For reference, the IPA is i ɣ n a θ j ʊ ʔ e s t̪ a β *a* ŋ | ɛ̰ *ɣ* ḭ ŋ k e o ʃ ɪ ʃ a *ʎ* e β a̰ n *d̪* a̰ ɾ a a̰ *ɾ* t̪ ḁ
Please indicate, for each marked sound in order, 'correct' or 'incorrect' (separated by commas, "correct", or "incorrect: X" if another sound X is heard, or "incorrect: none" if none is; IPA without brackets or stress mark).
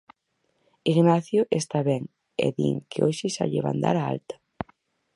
incorrect: ɛ, incorrect: ð, correct, correct, incorrect: l